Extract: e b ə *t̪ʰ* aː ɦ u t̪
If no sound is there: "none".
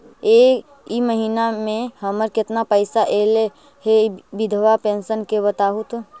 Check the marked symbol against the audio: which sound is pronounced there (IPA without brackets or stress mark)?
t̪